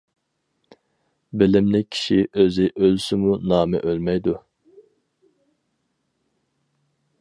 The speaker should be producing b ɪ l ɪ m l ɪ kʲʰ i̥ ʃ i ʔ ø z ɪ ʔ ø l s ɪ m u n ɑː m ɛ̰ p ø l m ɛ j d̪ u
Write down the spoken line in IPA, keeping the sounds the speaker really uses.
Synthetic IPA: b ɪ l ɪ m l ɪ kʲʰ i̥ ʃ i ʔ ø z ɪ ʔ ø l s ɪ m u n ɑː m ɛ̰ ʔ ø l m ɛ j d̪ u